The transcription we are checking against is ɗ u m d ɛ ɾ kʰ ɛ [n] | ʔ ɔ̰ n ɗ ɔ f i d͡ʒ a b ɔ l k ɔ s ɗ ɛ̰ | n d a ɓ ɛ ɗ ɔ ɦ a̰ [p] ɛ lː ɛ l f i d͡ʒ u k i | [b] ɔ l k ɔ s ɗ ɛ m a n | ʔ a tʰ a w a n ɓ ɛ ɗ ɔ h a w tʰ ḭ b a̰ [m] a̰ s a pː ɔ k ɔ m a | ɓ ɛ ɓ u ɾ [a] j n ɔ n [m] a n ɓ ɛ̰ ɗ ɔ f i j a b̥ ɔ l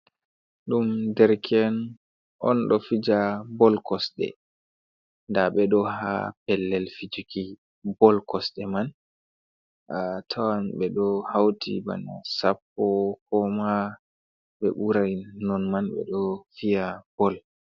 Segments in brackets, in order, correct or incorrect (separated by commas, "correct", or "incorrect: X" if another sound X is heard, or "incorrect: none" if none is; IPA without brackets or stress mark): correct, correct, correct, incorrect: n, correct, correct